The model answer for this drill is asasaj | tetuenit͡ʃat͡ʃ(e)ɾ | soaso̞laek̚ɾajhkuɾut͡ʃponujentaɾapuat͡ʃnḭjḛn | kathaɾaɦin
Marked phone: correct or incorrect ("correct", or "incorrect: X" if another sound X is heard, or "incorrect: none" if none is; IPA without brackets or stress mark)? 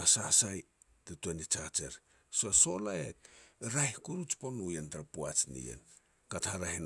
correct